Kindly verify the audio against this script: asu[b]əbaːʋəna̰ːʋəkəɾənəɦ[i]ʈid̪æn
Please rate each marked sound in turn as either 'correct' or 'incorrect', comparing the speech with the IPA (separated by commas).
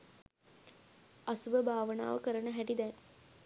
correct, incorrect